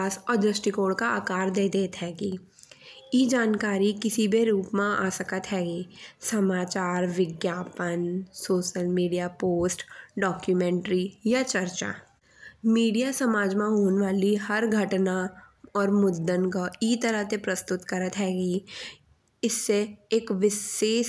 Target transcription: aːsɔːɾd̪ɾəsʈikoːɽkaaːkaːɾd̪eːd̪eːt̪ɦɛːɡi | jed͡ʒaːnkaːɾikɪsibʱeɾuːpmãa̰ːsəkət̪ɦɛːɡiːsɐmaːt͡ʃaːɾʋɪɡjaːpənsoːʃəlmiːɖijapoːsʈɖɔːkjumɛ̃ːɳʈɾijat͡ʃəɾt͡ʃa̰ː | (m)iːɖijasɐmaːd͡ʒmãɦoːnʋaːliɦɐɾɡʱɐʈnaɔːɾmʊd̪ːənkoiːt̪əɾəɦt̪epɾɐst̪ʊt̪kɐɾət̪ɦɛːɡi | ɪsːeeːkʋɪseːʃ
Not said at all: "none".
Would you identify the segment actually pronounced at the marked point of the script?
m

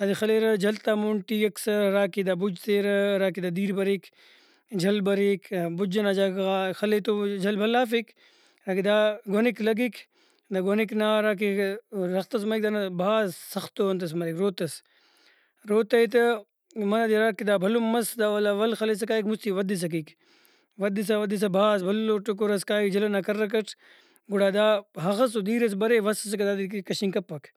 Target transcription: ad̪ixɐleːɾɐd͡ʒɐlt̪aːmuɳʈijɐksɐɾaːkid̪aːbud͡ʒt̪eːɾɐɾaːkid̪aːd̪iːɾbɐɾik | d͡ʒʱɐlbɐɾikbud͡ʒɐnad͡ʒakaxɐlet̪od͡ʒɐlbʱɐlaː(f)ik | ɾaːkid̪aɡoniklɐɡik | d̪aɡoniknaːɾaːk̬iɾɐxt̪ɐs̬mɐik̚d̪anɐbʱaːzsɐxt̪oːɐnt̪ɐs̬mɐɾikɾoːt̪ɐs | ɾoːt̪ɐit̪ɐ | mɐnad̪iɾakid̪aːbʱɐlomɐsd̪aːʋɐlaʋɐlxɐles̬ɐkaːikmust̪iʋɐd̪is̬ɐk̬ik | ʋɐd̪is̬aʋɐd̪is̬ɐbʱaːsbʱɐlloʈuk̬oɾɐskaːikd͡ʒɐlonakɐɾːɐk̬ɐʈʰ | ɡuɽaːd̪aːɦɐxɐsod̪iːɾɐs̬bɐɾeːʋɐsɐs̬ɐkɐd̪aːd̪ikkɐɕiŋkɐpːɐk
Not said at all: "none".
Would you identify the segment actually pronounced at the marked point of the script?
f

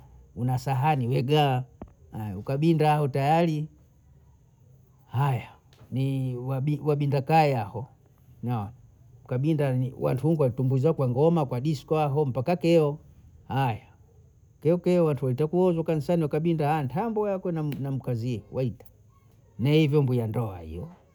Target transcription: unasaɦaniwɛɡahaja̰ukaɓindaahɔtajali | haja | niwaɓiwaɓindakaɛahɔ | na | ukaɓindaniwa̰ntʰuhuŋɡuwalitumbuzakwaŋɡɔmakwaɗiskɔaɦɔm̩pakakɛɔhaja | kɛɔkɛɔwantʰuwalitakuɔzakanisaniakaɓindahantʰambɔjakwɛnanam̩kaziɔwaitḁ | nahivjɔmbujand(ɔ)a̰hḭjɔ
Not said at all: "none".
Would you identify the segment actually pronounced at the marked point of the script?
ɔ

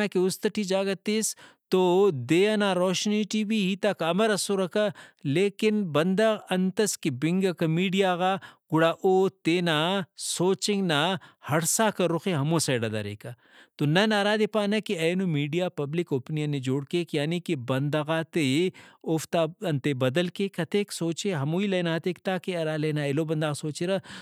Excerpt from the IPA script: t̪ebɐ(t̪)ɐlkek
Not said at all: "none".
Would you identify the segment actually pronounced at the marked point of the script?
d̪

